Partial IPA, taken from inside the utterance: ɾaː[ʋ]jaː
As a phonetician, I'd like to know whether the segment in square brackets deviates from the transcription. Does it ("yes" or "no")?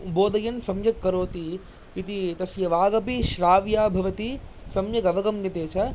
no